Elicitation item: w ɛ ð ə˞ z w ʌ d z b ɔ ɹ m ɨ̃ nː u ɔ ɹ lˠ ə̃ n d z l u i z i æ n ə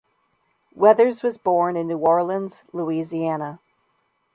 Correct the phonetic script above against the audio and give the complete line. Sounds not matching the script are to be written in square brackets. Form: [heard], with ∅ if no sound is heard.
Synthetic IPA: w ɛ ð ə˞ z w ʌ [∅] z b ɔ ɹ [n] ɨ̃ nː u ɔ ɹ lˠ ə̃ n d z l u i z i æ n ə